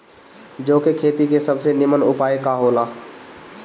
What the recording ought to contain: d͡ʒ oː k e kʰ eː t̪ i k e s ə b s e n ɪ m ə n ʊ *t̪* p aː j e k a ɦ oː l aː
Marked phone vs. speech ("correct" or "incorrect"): incorrect